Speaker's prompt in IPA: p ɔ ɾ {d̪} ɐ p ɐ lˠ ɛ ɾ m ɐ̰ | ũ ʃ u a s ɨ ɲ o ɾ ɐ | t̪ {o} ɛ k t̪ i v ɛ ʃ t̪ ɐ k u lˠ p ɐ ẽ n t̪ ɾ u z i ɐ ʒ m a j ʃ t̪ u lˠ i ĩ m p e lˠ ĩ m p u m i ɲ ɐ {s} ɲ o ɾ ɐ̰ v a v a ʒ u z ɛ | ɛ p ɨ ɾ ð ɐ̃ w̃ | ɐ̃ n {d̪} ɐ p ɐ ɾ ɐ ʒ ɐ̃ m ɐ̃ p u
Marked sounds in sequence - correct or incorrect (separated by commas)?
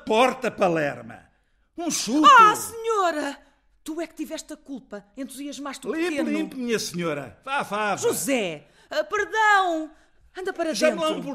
incorrect, incorrect, correct, correct